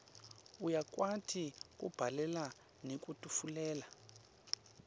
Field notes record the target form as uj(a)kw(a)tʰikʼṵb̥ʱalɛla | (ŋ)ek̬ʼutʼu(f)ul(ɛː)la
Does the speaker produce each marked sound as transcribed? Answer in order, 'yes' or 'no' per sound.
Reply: yes, yes, no, yes, yes

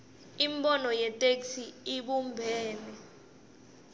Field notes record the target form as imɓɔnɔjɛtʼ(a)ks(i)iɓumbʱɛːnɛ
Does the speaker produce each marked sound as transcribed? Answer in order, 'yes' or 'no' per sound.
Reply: no, yes

